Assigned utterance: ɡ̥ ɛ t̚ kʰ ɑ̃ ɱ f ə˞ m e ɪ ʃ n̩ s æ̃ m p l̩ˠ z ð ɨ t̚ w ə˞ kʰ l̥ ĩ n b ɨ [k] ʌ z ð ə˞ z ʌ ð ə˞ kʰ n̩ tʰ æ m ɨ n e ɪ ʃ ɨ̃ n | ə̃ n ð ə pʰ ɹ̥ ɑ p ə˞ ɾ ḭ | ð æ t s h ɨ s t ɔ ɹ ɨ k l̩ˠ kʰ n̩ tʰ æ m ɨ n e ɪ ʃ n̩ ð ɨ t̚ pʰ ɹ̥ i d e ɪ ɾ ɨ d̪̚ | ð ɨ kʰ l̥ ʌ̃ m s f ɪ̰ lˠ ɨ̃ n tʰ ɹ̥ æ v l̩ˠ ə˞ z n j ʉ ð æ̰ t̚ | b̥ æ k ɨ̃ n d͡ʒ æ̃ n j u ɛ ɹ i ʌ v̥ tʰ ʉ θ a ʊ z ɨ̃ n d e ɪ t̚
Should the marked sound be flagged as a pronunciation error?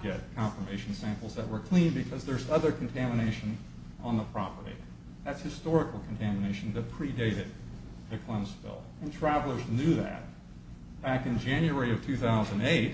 yes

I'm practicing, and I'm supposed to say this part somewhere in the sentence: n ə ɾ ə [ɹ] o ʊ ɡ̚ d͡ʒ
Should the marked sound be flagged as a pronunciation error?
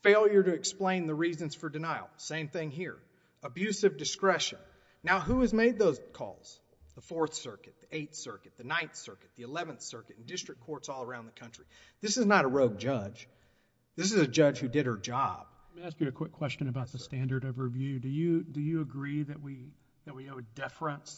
no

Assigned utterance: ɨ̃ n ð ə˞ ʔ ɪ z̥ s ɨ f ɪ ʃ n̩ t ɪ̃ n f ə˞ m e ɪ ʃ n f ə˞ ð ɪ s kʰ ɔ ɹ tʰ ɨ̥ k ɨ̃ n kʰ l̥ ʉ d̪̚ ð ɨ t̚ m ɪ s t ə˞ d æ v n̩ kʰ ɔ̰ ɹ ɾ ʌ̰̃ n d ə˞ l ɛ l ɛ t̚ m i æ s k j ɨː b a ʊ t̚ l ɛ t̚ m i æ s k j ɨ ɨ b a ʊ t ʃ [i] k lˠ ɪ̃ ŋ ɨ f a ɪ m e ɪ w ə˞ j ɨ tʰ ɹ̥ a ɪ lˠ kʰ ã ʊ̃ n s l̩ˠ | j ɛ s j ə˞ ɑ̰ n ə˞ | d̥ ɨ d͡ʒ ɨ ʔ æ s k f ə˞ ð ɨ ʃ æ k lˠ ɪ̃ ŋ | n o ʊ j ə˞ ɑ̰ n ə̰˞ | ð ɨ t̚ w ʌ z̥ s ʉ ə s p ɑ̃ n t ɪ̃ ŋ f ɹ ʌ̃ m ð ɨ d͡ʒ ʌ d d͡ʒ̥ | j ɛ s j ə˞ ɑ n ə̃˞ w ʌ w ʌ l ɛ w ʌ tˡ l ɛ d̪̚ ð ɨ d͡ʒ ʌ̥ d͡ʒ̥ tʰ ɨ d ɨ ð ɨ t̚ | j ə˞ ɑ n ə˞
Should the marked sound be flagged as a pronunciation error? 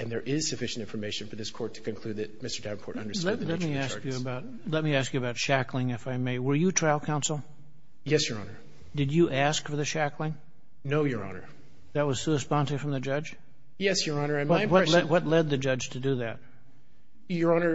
yes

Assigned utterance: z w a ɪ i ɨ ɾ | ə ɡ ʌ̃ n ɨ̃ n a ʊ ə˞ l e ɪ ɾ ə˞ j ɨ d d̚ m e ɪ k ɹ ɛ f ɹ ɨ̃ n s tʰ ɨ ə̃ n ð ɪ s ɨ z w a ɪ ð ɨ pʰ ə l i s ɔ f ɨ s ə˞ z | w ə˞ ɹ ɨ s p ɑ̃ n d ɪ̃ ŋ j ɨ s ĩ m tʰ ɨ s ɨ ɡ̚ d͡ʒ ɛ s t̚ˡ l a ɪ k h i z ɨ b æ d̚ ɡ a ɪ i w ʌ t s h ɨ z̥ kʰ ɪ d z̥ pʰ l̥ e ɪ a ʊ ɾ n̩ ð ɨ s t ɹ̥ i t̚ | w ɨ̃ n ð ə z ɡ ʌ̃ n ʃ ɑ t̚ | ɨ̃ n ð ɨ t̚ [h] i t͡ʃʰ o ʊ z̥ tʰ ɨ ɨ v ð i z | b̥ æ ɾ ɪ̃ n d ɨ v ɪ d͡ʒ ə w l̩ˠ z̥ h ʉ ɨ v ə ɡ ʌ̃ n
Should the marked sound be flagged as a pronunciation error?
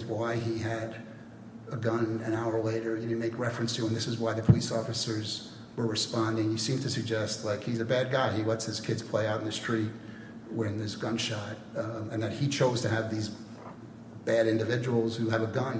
no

